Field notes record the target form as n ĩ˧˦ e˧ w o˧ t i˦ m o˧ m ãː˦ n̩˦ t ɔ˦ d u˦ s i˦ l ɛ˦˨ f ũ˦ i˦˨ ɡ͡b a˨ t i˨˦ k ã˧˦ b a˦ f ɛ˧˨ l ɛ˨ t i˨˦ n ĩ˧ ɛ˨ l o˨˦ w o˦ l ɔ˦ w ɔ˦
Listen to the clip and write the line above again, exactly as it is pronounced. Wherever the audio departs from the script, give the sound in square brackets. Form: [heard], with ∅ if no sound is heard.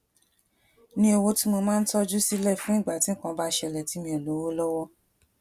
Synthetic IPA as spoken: n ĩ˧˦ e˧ w o˧ t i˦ m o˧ m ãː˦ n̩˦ t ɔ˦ [d͡ʒ] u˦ s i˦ l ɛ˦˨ f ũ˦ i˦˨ ɡ͡b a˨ t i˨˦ k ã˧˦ b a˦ [ʃ] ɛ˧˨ l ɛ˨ t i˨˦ [m] ĩ˧ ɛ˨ l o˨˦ w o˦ l ɔ˦ w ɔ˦